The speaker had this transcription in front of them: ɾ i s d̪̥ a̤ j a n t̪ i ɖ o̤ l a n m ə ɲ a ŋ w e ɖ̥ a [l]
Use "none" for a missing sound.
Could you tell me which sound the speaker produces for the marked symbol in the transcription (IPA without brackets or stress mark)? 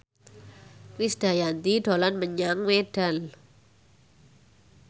l